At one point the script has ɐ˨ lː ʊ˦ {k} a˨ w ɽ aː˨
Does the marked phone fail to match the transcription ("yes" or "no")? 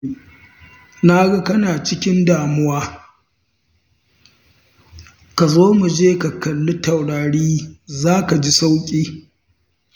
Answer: yes